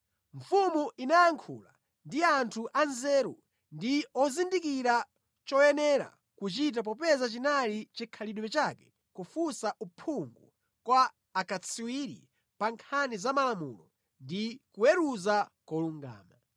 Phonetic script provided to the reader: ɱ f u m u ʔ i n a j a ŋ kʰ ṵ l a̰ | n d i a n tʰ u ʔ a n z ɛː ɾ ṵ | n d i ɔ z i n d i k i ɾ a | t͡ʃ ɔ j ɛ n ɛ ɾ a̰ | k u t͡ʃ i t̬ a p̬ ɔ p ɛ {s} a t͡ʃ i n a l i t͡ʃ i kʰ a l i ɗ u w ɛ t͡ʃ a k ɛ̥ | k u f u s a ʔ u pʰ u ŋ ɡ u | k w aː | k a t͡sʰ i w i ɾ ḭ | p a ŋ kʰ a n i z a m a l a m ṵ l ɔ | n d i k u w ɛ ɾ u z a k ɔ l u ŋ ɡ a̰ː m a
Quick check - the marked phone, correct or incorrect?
incorrect: z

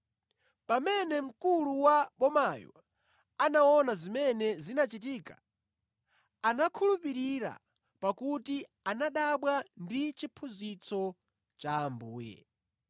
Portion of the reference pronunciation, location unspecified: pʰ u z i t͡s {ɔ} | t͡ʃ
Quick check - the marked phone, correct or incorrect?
correct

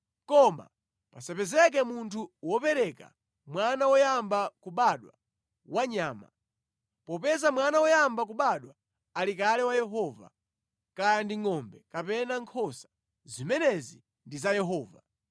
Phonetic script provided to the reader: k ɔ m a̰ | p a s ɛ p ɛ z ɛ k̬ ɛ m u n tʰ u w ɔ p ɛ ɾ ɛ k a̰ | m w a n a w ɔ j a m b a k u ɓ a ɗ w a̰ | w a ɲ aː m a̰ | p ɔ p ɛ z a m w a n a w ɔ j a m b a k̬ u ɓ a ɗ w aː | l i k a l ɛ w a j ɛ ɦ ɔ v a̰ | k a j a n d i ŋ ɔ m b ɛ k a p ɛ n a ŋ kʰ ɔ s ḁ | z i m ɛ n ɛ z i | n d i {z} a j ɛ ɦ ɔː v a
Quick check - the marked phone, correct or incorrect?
correct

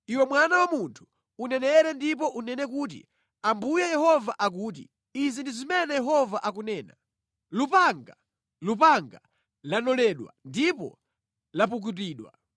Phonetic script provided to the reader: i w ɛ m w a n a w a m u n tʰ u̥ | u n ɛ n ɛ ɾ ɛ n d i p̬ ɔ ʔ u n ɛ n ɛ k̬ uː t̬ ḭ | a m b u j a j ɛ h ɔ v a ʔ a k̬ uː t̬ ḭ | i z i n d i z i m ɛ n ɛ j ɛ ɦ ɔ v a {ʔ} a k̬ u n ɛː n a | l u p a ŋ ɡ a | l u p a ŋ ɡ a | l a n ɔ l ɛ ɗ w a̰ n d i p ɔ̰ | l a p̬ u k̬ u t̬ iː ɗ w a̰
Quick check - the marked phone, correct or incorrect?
correct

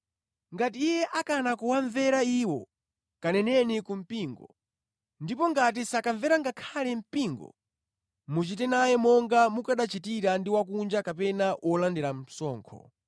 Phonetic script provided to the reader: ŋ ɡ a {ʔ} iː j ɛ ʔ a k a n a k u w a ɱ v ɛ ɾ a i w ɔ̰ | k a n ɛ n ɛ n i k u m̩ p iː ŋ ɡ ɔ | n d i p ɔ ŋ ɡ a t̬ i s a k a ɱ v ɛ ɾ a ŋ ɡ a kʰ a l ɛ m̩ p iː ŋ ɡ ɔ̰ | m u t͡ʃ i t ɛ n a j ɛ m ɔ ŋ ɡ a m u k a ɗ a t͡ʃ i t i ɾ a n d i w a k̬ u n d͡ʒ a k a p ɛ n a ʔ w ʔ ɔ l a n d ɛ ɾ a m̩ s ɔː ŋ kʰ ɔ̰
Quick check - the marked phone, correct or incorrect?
incorrect: t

